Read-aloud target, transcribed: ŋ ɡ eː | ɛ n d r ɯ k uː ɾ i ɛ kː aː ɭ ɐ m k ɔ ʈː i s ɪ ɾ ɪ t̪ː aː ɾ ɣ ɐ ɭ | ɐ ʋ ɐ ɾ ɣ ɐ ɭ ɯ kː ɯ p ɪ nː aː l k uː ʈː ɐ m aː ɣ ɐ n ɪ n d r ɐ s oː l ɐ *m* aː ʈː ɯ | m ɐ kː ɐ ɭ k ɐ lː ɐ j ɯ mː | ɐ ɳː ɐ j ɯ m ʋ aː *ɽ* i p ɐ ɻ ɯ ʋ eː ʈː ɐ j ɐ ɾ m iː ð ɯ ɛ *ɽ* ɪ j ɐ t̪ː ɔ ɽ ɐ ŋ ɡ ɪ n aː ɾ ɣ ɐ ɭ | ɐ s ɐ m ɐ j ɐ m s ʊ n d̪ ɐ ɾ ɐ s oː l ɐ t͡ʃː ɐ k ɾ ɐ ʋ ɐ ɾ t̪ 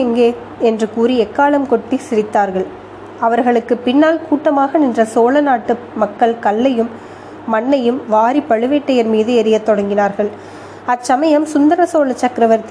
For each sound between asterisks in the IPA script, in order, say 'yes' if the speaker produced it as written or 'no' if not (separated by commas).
no, no, no